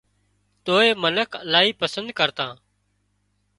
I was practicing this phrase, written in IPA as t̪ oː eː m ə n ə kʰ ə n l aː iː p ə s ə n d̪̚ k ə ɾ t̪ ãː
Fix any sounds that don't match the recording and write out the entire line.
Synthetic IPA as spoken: t̪ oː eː m ə n ə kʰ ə l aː iː p ə s ə n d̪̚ k ə ɾ t̪ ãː